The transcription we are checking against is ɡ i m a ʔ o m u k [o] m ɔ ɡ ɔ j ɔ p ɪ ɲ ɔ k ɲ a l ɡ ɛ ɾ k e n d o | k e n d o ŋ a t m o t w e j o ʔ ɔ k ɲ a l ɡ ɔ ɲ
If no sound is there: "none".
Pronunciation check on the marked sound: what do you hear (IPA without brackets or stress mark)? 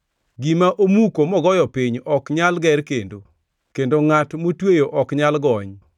o